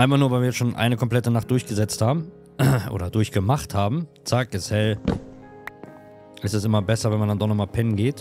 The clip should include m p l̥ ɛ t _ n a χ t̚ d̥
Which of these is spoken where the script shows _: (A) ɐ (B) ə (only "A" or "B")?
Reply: B